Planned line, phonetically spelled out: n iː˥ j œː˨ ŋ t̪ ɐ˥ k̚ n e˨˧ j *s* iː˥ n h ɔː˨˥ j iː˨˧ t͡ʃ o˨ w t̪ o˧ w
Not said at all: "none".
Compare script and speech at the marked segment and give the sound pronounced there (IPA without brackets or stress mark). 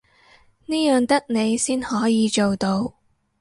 s